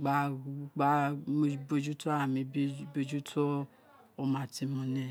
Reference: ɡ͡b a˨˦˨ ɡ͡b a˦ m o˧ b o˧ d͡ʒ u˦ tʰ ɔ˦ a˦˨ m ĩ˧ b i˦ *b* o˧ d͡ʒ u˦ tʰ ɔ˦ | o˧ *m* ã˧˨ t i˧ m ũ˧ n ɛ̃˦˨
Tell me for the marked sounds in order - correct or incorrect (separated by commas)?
correct, correct